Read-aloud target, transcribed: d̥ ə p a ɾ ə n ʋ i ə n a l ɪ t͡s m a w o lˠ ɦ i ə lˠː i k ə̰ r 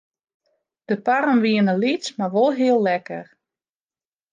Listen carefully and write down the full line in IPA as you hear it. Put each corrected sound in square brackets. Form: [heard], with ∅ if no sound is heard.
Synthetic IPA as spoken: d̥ ə p a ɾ ə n ʋ i ə n [ə] l [i] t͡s m a [ʋ] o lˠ ɦ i ə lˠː [ɛ] k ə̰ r